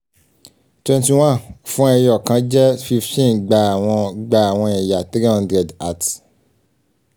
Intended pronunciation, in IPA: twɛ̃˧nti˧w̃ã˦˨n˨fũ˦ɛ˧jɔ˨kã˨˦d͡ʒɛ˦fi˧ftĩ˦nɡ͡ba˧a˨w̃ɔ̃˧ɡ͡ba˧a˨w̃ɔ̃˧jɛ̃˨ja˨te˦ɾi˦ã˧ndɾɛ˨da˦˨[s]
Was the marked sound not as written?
yes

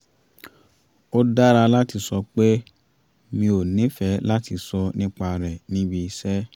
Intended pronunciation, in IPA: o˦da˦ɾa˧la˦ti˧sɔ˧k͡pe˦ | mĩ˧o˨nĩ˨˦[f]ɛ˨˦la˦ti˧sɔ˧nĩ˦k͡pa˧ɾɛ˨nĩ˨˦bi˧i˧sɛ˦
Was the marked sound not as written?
no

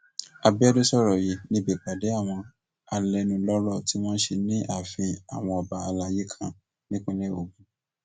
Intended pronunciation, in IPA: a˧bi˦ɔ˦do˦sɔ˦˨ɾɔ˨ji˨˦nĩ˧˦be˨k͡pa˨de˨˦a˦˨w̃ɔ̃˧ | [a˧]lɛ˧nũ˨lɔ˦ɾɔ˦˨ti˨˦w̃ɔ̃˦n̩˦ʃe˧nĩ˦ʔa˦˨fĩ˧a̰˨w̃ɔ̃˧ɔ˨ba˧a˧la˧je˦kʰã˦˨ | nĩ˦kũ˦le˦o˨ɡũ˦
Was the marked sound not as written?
no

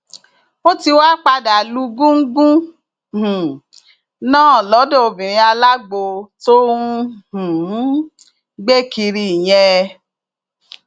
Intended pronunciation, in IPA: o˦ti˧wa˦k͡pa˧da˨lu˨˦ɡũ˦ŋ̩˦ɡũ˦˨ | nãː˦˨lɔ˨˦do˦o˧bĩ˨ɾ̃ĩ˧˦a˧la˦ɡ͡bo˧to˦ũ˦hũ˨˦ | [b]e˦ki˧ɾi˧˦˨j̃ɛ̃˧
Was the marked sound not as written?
yes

